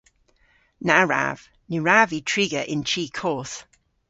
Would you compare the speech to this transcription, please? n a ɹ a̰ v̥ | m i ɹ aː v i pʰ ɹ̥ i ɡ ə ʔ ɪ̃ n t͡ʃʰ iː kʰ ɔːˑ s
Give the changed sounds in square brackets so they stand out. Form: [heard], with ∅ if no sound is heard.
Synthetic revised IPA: n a ɹ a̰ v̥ | [n] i ɹ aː v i [tʰ] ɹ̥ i ɡ ə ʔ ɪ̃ n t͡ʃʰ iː kʰ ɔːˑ [θ]